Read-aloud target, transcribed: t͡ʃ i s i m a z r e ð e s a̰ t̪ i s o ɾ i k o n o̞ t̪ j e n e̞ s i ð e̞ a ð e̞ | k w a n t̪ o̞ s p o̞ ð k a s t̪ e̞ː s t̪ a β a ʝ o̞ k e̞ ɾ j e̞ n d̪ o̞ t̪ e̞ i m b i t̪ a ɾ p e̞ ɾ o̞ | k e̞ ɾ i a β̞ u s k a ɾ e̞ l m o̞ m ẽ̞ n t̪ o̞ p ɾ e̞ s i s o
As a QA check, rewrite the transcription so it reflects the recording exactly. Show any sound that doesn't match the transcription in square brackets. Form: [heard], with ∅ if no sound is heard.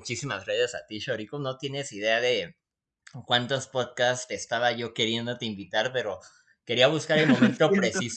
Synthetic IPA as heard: t͡ʃ i s i m a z r e ð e s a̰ t̪ i [ʃ] o ɾ i k o n o̞ t̪ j e n e̞ s i ð e̞ a ð e̞ | k w a n t̪ o̞ s p o̞ ð k a s t̪ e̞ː s t̪ a β a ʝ o̞ k e̞ ɾ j e̞ n d̪ o̞ t̪ e̞ i m b i t̪ a ɾ p e̞ ɾ o̞ | k e̞ ɾ i a β̞ u s k a ɾ e̞ l m o̞ m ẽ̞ n t̪ o̞ p ɾ e̞ s i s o